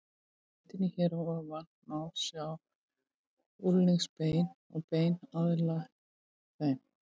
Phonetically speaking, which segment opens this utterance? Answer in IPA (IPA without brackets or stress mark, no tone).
t̪